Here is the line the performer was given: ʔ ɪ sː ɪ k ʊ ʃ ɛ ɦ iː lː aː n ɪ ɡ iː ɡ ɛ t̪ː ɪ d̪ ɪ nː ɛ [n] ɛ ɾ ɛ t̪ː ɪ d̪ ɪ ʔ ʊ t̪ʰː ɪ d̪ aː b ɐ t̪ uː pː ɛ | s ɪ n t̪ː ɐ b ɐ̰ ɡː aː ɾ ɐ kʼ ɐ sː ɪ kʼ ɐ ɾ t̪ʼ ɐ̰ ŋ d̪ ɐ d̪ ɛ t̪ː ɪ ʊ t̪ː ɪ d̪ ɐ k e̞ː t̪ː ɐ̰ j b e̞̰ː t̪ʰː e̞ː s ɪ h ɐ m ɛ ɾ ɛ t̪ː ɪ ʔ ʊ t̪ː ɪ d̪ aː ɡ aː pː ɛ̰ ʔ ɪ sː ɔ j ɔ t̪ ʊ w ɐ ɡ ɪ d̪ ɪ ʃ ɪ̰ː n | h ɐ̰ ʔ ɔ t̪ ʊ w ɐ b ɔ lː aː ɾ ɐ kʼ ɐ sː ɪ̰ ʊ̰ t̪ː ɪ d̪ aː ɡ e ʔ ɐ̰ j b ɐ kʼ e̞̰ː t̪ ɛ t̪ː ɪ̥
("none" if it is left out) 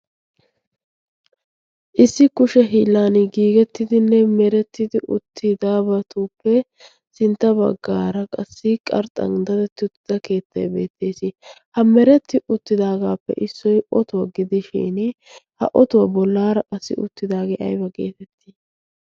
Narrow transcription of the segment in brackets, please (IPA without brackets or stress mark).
m